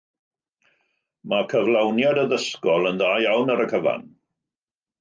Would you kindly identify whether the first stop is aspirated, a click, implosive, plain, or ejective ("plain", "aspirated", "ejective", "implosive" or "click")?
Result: aspirated